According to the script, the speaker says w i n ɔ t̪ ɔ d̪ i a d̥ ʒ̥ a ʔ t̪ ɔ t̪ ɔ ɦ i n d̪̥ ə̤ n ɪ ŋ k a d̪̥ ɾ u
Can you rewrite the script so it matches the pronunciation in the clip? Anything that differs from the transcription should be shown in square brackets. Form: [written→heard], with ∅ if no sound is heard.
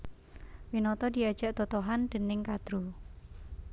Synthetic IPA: w i n ɔ t̪ ɔ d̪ i a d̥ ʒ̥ a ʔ t̪ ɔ t̪ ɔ ɦ [i→a] n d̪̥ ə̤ n ɪ ŋ k a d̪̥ ɾ u